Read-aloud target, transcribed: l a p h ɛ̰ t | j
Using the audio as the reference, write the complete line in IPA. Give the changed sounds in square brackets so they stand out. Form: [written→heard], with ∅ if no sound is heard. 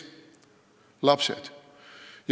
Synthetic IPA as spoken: l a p [h→s] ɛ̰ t | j